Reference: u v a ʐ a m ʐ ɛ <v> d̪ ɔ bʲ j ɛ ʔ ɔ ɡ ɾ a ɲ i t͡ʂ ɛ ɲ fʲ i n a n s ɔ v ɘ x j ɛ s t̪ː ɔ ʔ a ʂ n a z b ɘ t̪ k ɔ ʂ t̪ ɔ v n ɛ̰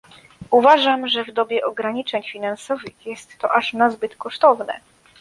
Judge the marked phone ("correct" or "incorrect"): correct